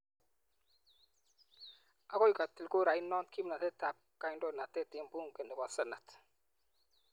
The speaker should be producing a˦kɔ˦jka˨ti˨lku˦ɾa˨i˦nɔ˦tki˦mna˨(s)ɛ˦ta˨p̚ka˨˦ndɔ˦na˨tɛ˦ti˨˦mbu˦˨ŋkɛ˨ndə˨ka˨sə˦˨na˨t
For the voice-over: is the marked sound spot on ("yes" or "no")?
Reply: no